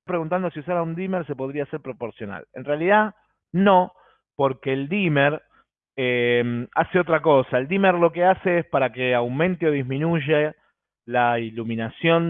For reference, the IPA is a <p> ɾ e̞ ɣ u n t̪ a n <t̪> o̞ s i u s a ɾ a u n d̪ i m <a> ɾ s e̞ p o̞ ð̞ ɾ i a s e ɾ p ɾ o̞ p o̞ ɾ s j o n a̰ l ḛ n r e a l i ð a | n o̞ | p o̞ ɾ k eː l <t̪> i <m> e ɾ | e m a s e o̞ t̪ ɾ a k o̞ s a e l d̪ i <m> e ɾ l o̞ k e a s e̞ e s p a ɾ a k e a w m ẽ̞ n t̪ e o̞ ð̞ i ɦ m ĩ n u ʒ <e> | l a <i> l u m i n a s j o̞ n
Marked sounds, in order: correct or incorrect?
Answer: correct, incorrect: d̪, incorrect: e, incorrect: d̪, correct, correct, correct, correct

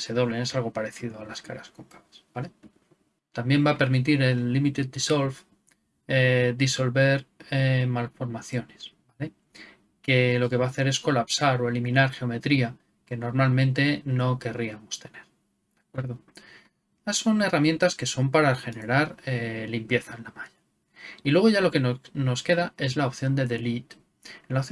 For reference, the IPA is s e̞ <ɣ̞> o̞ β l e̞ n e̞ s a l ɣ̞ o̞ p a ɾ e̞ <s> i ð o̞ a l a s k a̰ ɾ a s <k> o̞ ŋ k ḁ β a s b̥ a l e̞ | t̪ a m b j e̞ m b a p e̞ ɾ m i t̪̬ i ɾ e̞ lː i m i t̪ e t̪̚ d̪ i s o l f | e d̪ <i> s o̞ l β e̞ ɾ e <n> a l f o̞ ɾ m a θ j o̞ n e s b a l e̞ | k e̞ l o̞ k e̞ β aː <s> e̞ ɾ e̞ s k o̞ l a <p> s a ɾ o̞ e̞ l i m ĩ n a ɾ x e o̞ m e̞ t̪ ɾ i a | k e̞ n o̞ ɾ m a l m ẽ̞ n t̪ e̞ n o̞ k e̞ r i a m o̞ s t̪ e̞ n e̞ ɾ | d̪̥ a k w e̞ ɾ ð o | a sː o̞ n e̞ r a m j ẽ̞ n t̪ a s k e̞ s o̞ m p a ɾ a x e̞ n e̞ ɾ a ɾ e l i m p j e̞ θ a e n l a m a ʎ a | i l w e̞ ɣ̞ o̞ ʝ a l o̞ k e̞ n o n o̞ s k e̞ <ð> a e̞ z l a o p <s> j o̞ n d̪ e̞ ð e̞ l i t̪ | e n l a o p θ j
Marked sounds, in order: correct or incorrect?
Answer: incorrect: ð̞, incorrect: θ, correct, correct, incorrect: m, incorrect: θ, correct, correct, incorrect: θ

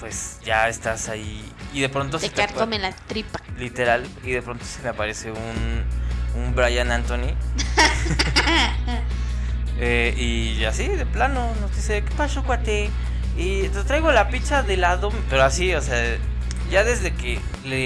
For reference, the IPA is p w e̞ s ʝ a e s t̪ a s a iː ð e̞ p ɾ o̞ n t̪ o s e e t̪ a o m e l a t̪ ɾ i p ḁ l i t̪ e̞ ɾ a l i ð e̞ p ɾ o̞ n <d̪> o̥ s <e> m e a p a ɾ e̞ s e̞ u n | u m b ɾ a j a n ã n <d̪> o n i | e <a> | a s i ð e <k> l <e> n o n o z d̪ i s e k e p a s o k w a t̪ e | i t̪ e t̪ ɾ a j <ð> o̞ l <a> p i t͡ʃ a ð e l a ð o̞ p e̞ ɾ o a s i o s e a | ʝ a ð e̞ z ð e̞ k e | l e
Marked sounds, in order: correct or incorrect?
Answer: incorrect: t̪, correct, incorrect: t̪, incorrect: i, incorrect: p, incorrect: a, incorrect: ɣ, correct

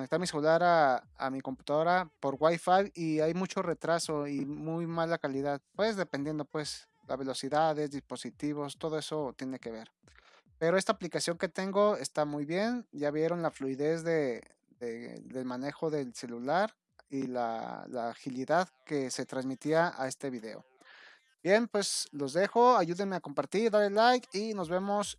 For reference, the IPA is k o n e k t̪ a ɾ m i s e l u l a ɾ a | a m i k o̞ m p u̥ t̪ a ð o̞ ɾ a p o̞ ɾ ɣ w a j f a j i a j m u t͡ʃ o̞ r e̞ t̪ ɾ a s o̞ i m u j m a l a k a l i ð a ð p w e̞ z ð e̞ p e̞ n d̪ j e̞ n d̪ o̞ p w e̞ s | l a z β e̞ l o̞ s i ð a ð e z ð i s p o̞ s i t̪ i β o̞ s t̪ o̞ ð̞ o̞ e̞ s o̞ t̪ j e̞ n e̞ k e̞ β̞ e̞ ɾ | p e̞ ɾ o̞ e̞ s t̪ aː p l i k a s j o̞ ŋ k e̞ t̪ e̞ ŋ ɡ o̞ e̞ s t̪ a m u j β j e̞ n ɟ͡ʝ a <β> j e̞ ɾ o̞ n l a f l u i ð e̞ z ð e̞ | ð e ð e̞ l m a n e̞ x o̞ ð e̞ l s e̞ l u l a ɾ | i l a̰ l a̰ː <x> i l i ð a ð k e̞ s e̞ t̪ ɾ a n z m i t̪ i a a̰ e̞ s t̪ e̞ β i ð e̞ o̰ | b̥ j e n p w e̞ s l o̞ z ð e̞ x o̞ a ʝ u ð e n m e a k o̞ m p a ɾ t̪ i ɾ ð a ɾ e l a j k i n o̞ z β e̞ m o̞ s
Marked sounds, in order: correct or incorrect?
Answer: correct, correct

